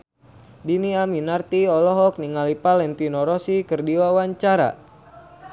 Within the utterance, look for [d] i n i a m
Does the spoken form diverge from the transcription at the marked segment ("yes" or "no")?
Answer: no